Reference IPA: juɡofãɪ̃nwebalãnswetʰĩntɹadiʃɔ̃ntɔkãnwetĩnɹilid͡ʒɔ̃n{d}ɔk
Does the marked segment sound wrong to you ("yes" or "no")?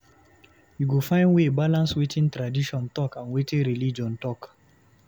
yes